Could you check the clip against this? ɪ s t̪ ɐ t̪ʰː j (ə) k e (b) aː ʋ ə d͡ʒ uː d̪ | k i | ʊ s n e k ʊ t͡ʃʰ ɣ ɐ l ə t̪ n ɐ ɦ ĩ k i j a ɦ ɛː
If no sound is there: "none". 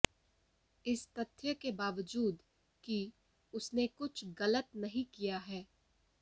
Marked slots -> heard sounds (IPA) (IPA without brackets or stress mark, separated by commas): ə, b